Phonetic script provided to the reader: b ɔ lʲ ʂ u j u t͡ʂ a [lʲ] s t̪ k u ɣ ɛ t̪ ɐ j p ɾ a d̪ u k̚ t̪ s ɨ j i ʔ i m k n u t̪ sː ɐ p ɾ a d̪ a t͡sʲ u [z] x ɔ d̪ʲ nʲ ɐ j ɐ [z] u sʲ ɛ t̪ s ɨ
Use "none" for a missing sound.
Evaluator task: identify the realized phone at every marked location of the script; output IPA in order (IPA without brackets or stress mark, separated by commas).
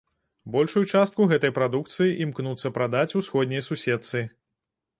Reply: none, s, s